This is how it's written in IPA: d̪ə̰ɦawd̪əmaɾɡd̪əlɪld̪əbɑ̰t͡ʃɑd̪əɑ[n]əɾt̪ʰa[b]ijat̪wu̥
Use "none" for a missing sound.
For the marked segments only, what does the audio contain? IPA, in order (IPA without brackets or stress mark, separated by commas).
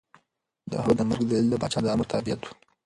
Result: m, b